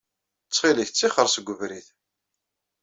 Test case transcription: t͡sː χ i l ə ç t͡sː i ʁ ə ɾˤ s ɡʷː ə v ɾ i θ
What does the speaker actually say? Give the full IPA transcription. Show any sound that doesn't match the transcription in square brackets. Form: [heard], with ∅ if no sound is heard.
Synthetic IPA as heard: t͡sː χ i l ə ç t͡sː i [χ] ə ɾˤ s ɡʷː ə v ɾ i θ